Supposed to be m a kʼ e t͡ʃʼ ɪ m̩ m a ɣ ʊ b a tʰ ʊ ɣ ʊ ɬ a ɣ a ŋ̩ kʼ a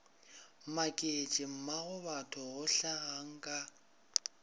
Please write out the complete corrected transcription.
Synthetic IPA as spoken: m a kʼ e t͡ʃʼ ɪ m̩ m a ɣ ʊ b a tʰ ʊ ɣ ʊ ɬ a ɣ a ŋ̩ kʼ a